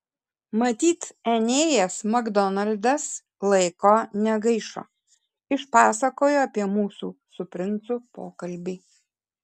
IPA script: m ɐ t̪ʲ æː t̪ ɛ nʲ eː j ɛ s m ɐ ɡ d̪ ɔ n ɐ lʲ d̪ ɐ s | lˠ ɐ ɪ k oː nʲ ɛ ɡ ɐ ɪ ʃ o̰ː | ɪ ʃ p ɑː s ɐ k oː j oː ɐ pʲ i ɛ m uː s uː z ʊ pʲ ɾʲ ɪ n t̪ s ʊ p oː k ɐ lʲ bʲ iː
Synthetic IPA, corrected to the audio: m ɐ t̪ʲ iː t̪ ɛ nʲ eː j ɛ s m ɐ ɡ d̪ ɔ n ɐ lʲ d̪ ɐ s | lˠ ɐ ɪ k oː nʲ ɛ ɡ ɐ ɪ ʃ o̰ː | ɪ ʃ p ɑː s ɐ k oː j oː ɐ pʲ i ɛ m uː s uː s ʊ pʲ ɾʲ ɪ n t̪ s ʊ p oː k ɐ lʲ bʲ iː